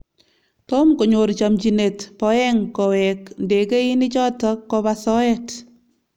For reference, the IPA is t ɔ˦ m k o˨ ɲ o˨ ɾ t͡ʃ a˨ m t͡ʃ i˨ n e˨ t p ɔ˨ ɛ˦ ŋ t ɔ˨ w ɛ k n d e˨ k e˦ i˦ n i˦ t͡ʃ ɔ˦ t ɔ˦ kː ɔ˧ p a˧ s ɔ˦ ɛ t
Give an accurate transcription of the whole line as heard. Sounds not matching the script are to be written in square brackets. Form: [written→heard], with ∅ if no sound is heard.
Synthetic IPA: t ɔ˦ m k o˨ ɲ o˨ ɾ t͡ʃ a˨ m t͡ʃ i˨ n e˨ t p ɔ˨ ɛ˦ ŋ [t→k] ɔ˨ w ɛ k n d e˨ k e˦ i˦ n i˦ t͡ʃ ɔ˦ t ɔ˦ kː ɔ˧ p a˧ s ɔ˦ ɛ t